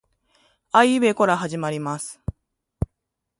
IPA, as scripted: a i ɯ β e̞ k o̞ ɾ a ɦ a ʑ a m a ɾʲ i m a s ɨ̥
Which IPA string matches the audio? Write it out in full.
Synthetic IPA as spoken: a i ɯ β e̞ k o̞ ɾ a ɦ a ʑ i m a ɾʲ i m a s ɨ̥